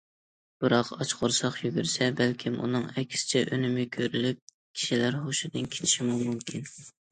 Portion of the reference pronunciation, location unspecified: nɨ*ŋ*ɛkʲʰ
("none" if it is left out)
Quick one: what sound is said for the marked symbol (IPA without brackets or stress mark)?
ŋ